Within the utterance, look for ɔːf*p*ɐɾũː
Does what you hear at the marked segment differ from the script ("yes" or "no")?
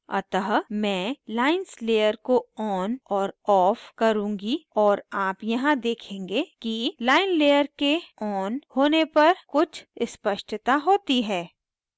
yes